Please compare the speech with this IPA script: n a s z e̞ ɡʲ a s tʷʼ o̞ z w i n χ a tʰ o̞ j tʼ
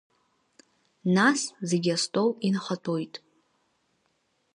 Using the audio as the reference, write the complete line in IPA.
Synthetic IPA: n a s z e̞ ɡʲ a s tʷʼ o̞ w i n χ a tʰ o̞ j tʼ

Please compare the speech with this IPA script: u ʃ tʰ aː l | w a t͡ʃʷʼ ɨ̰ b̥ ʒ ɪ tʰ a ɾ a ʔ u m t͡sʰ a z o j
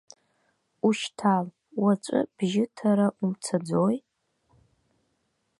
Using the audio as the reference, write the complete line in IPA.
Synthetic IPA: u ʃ tʰ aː l | w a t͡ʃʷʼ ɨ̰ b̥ ʒ ɪ tʰ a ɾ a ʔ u m t͡sʰ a d͡z o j

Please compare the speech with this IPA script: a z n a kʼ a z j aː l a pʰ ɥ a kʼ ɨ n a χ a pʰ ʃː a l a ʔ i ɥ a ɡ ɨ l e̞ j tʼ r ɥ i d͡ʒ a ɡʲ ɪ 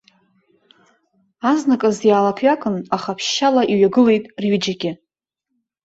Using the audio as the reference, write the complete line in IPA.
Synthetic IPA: a z n a kʼ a z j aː l a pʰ ɥ a kʼ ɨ n a χ a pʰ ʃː a l a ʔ i ɥ a ɡ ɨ l e̞ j tʼ r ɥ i d͡ʒ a ɡʲ ɪ

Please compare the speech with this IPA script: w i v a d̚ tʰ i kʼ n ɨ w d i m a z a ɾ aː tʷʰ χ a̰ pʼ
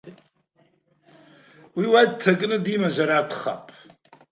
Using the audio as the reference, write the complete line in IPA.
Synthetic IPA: w i w a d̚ tʰ a kʼ n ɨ d i m a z a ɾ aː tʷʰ χ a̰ pʼ

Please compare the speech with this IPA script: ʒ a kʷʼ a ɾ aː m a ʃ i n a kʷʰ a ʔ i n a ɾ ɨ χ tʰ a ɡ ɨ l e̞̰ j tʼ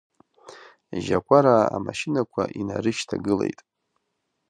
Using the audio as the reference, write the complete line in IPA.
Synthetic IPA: ʒ a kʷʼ a ɾ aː m a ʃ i n a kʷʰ a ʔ i n a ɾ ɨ ʃ tʰ a ɡ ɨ l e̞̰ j tʼ

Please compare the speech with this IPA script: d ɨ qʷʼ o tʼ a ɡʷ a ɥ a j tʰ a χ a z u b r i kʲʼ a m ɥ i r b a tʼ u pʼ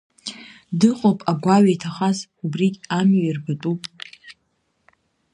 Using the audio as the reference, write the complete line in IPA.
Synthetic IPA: d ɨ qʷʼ o pʼ a ɡʷ a ɥ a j tʰ a χ a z u b r i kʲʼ a m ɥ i r b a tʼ u pʼ

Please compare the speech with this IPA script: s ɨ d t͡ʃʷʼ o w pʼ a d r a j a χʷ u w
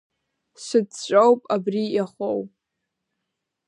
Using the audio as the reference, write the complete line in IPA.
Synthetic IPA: s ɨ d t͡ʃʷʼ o w pʼ a b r i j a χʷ o w

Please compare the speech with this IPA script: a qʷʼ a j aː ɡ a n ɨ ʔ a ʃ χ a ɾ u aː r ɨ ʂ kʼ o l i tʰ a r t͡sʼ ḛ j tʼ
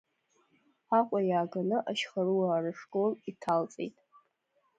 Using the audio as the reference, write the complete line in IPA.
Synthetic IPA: a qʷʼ a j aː ɡ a n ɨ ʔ a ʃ χ a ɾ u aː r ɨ ʂ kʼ o l i tʰ a l t͡sʼ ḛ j tʼ

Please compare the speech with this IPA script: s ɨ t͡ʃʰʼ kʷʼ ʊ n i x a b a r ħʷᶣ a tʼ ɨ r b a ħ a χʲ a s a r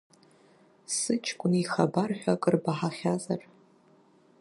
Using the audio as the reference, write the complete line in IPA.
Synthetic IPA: s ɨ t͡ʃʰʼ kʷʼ ʊ n i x a b a r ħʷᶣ a kʼ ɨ r b a ħ a χʲ a z a r

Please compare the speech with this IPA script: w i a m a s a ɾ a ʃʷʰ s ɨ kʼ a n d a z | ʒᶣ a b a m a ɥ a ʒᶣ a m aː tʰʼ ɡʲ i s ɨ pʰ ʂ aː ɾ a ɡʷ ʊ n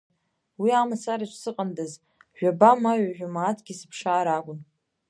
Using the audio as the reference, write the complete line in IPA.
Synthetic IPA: w i a m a s a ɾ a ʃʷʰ s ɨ qʼ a n d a z | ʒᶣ a b a m a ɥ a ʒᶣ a m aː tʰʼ ɡʲ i s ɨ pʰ ʂ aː ɾ a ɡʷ ʊ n

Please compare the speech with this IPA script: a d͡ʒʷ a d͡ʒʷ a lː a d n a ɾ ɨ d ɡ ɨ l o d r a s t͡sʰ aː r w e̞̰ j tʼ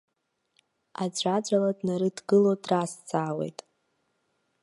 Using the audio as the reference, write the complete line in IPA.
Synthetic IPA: a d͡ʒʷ a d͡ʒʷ a l a d n a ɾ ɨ d ɡ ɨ l o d r a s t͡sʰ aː w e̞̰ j tʼ

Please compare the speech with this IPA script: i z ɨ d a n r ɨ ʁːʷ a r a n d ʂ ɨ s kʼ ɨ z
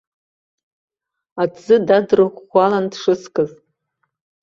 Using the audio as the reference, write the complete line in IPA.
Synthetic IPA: a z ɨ d a d r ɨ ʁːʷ a l a n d ʂ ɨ s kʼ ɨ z

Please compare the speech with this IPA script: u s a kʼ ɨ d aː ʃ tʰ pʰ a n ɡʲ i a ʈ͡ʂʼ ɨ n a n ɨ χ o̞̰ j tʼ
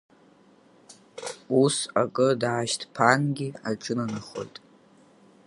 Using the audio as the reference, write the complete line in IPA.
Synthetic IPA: u s a kʼ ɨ d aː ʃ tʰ pʰ a n ɡʲ i a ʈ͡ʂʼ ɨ n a n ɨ χ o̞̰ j tʼ

